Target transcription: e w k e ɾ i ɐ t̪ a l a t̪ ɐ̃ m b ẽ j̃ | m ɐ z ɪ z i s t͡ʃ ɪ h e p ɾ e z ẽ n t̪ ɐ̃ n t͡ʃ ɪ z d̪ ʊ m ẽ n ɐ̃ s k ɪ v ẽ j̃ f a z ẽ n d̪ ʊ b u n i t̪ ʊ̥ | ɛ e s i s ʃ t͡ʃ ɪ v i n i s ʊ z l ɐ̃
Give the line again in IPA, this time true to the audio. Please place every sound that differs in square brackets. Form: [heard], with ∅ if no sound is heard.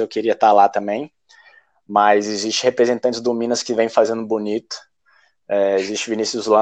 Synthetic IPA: e w k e ɾ i ɐ t̪ a l a t̪ ɐ̃ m b ẽ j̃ | m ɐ z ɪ z i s t͡ʃ ɪ h e p ɾ e z ẽ n t̪ ɐ̃ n t͡ʃ ɪ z d̪ ʊ m [ĩ] n [ɐ] s k ɪ v ẽ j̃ f a z ẽ n d̪ ʊ b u n i t̪ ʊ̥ | ɛ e [z] i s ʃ t͡ʃ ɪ v i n i s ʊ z l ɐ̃